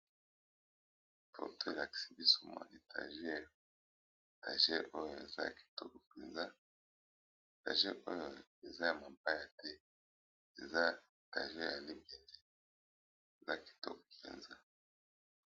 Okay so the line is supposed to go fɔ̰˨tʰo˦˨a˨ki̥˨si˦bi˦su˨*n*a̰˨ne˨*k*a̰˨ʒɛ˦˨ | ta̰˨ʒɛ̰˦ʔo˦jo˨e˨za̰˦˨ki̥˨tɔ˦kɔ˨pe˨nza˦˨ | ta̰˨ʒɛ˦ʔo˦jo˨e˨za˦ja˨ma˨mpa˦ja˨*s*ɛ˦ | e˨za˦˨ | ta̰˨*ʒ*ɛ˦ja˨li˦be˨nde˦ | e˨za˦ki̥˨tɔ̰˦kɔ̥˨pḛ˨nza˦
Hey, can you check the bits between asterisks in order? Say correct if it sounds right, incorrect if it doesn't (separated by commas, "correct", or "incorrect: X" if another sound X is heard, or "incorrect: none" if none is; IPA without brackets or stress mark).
incorrect: m, incorrect: t, incorrect: t, correct